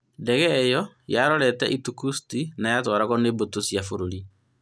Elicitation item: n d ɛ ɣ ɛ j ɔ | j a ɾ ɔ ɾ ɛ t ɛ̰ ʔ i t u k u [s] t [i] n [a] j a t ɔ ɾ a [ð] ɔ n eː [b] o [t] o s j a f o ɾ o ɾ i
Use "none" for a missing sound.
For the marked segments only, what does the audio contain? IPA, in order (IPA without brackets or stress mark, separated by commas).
s, i, a, ɣ, b, t